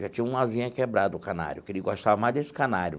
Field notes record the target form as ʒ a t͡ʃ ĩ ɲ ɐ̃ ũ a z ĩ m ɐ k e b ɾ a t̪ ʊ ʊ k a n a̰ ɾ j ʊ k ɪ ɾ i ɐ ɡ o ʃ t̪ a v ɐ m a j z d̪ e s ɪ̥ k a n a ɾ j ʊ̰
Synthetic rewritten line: ʒ a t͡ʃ ĩ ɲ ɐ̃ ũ a z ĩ ɲ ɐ k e b ɾ a d̪ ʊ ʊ k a n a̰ ɾ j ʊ k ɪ ɾ i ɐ ɡ o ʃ t̪ a v ɐ m a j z d̪ e s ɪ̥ k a n a ɾ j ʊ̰